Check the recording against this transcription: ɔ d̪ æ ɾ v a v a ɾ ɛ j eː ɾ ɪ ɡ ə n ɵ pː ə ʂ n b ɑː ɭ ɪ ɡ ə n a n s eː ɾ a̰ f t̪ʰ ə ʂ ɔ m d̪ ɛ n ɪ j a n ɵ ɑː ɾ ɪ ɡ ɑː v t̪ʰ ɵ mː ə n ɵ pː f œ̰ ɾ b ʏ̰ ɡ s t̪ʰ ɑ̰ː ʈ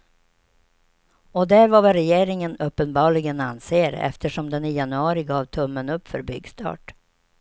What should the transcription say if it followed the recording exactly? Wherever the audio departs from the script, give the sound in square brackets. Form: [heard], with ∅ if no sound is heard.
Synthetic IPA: ɔ d̪ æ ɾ v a v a ɾ ɛ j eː ɾ ɪ [ŋ] ə n ɵ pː ə [∅] n b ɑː ɭ ɪ ɡ ə n a n s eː ɾ [ɛ̰] f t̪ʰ ə ʂ ɔ m d̪ ɛ n ɪ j a n ɵ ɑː ɾ ɪ ɡ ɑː v t̪ʰ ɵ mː ə n ɵ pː f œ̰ ɾ b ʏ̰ ɡ s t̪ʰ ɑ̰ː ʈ